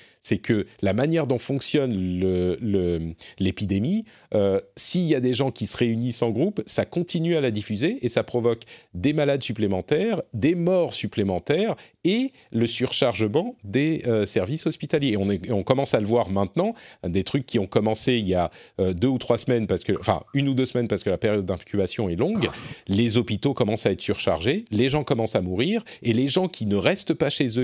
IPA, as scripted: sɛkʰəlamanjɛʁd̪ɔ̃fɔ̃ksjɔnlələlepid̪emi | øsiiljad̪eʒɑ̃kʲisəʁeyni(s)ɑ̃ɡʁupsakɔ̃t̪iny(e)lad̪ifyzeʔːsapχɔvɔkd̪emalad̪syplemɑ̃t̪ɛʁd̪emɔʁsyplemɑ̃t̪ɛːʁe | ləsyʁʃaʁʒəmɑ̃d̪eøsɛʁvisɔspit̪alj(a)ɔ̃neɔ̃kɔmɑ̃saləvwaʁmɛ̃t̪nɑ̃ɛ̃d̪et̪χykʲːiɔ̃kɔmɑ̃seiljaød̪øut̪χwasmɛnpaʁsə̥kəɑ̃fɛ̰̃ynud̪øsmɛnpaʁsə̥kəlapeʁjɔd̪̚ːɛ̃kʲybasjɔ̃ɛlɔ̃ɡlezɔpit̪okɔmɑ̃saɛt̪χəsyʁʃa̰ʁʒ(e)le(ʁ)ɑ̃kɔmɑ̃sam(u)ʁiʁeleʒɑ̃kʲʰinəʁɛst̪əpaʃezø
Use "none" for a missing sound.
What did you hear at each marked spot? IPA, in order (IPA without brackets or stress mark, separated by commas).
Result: s, a, e, e, ʒ, u